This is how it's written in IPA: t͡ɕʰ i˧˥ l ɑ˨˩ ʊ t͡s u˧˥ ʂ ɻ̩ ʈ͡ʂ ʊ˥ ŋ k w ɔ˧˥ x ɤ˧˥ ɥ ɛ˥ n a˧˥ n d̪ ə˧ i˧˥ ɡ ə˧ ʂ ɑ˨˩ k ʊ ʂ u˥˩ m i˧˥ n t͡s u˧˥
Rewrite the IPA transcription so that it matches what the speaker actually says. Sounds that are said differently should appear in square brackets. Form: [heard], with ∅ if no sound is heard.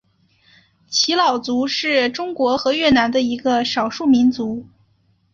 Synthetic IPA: t͡ɕʰ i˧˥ l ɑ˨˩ ʊ t͡s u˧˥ ʂ ɻ̩ ʈ͡ʂ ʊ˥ ŋ k w ɔ˧˥ x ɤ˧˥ ɥ [ɛ˥˩] n a˧˥ n d̪ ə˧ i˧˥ ɡ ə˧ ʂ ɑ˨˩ [∅] ʊ ʂ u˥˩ m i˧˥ n t͡s u˧˥